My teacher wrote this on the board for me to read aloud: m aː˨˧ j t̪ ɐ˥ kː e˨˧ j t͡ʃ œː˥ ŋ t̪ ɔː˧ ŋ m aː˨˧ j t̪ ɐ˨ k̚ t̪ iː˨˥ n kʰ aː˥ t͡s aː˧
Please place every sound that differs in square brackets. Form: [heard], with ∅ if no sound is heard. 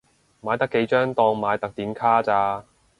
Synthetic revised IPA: m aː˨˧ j t̪ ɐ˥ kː e˨˧ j t͡ʃ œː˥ ŋ t̪ ɔː˧ ŋ m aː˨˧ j t̪ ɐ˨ k̚ t̪ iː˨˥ n kʰ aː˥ t͡s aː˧